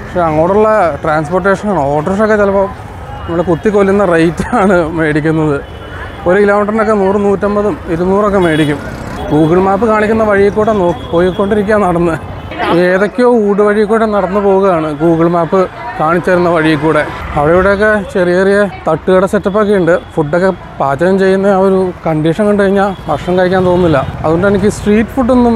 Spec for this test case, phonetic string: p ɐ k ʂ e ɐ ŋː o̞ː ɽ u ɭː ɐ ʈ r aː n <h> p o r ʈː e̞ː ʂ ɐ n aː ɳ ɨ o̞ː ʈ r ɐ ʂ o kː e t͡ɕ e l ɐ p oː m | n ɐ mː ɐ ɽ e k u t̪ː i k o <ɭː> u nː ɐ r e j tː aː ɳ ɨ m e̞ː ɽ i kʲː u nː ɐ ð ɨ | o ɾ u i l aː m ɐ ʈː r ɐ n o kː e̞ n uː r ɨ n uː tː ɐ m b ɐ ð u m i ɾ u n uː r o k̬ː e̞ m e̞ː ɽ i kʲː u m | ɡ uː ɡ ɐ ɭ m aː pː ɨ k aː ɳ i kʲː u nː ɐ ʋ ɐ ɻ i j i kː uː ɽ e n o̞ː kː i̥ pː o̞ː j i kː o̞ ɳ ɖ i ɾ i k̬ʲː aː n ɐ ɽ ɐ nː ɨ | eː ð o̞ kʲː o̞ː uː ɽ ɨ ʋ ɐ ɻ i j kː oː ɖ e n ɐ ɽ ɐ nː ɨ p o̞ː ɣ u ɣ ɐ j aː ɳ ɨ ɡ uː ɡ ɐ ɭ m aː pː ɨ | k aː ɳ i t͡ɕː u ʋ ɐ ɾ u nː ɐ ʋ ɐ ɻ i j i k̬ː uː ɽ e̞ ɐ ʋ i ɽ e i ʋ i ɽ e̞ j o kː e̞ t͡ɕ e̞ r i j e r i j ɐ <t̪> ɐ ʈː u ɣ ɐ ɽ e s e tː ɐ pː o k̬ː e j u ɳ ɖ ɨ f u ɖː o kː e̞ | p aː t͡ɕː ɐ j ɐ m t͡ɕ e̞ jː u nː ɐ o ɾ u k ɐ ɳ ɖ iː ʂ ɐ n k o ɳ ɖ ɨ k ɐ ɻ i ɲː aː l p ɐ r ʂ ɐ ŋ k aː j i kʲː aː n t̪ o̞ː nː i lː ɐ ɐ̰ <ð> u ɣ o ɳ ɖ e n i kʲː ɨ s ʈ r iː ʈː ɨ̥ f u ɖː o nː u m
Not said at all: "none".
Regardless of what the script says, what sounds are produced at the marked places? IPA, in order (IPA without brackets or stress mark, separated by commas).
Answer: s, lː, t̪, ð